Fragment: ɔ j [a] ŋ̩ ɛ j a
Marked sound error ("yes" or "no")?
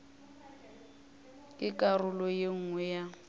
yes